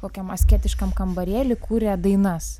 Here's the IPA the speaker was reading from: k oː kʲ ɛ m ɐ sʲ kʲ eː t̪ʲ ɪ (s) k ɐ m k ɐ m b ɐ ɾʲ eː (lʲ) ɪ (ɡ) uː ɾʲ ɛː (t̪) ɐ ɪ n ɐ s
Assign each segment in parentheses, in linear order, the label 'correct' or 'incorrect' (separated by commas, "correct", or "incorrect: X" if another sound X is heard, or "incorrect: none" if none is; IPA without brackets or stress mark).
incorrect: ʃ, correct, incorrect: k, incorrect: d̪